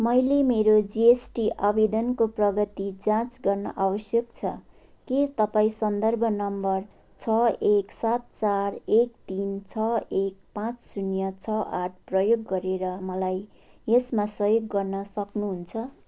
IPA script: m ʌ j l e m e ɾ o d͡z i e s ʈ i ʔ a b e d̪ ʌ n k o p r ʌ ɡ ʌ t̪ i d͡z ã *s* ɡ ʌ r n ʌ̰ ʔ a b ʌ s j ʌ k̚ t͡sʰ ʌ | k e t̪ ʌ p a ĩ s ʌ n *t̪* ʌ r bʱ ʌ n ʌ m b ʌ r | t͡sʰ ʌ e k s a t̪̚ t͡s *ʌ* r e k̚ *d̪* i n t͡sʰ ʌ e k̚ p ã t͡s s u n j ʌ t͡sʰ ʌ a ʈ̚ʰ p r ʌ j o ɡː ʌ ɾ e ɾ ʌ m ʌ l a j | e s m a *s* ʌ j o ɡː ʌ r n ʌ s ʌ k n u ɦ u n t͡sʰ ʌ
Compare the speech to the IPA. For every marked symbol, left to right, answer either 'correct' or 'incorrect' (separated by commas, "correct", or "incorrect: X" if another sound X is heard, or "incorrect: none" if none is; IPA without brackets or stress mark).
incorrect: t͡s, incorrect: d̪, incorrect: a, incorrect: t̪, correct